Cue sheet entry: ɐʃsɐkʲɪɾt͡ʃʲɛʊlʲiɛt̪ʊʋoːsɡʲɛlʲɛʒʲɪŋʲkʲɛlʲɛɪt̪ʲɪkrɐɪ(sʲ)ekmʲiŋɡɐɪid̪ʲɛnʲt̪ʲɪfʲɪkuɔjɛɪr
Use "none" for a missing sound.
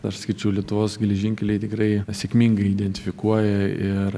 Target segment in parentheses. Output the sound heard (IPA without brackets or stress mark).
sʲ